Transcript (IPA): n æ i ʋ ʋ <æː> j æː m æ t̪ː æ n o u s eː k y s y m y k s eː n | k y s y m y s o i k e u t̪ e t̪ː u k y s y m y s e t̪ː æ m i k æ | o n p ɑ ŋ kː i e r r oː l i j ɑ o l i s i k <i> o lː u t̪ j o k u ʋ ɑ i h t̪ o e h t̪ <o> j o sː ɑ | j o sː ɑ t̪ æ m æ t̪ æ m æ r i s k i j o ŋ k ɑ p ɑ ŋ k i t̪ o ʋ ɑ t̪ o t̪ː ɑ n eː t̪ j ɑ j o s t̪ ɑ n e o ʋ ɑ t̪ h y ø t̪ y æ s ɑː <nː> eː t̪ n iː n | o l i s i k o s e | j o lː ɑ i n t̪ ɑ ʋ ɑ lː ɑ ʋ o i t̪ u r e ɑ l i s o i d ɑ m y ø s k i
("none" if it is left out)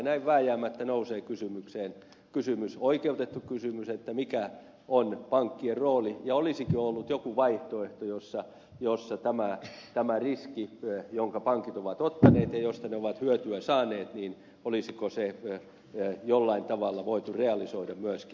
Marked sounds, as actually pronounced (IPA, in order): æː, i, o, n

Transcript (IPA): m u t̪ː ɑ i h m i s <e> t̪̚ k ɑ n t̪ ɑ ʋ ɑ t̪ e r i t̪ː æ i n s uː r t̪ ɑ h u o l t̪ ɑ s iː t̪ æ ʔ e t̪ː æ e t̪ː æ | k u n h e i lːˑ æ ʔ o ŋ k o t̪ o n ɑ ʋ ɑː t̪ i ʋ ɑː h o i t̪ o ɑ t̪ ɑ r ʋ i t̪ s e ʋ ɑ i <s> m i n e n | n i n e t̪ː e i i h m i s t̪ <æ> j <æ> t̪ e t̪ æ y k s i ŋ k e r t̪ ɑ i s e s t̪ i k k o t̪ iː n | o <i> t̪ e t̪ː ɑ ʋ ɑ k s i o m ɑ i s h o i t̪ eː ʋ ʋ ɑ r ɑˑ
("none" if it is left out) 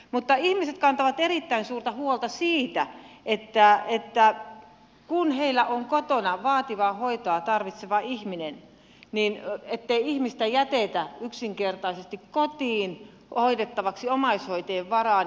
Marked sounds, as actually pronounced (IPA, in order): e, h, æ, æ, i

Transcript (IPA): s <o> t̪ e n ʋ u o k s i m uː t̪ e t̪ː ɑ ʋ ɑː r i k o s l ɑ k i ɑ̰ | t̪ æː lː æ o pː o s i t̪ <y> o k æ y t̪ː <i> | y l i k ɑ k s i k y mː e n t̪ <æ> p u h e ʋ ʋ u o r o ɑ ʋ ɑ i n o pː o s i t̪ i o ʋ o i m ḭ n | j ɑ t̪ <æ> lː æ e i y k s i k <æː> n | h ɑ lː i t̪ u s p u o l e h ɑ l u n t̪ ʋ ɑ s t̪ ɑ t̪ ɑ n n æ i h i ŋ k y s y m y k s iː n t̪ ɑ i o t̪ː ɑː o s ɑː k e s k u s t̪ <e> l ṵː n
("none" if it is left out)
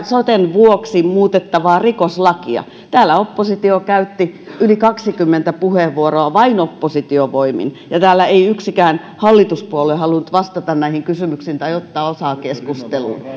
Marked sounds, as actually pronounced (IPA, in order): o, i, i, æ, æː, æː, e

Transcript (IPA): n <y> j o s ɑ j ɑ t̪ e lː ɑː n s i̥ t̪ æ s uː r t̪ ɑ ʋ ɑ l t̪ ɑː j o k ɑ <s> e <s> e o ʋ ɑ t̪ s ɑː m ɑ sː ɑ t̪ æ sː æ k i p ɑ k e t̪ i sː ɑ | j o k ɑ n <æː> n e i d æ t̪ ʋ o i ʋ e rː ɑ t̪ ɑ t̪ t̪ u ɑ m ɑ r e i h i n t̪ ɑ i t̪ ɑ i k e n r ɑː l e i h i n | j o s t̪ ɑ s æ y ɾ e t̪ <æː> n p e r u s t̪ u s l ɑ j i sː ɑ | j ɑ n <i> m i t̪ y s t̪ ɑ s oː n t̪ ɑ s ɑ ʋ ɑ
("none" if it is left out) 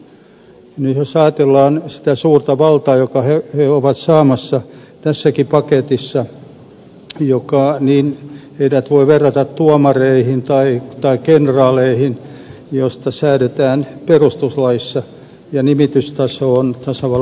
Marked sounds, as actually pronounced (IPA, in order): y, h, h, iː, æː, i

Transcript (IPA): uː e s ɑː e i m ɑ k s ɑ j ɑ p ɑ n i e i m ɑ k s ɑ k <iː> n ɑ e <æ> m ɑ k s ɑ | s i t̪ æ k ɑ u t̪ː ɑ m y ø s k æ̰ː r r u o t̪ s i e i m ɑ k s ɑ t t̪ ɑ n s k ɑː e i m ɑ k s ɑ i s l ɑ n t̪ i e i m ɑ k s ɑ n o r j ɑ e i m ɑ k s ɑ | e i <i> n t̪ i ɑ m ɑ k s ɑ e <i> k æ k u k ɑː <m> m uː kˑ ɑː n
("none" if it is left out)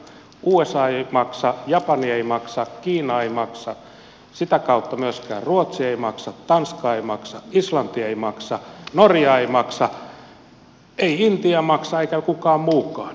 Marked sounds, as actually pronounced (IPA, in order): iː, i, i, i, m

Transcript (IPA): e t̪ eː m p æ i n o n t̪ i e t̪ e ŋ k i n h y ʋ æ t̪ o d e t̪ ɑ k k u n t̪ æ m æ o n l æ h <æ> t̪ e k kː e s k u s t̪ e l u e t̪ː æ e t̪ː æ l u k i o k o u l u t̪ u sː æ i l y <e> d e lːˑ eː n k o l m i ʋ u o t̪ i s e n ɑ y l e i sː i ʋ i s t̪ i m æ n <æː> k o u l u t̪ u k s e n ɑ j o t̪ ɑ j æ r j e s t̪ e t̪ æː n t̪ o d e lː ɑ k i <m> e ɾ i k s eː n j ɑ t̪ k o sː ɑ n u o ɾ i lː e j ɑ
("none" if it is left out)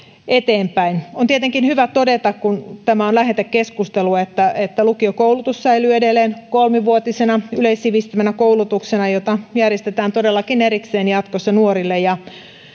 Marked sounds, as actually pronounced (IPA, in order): e, e, æ, n

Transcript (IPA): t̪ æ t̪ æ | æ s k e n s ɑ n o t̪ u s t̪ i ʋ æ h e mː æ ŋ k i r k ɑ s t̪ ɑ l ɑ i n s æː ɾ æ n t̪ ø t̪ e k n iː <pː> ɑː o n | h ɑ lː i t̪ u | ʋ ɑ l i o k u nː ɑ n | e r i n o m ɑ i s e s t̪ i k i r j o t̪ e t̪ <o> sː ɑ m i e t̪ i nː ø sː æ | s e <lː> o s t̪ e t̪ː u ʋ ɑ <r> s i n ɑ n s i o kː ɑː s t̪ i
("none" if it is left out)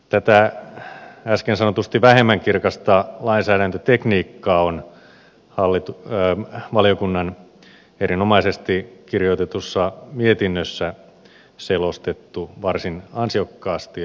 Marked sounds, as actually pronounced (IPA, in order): kː, u, l, r

